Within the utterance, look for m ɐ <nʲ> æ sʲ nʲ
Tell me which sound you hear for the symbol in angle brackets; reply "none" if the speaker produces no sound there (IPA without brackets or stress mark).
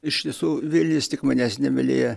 nʲ